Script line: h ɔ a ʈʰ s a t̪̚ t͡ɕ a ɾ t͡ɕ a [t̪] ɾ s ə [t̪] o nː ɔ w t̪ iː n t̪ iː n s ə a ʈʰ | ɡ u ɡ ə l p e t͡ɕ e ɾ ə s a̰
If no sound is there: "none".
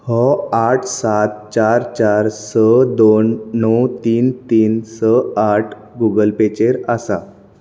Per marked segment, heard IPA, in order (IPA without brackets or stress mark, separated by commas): none, d̪